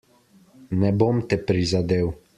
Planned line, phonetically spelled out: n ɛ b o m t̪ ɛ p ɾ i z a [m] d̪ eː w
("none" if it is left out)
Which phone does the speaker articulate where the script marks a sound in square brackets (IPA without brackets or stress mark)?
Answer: none